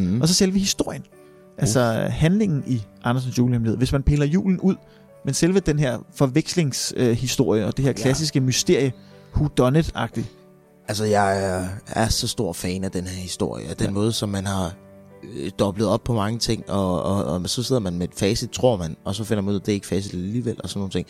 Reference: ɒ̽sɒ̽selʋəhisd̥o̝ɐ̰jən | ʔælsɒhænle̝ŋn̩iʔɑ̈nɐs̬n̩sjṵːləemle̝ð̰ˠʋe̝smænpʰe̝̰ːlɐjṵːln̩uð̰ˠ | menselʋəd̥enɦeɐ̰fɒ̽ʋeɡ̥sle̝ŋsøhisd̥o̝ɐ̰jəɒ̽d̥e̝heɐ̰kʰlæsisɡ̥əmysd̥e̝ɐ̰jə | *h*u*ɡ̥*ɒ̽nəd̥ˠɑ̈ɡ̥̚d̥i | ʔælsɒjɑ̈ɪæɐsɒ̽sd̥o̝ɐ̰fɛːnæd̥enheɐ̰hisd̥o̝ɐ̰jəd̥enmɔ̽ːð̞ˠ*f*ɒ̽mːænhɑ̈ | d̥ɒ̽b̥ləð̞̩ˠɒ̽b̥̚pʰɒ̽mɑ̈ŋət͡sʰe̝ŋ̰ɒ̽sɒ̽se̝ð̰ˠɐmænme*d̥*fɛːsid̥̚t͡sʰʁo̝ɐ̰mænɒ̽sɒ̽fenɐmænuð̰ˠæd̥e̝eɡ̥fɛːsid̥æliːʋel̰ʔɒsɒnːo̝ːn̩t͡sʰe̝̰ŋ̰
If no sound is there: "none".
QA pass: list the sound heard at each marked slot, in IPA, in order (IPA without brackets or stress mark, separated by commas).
h, d̥, s, d̥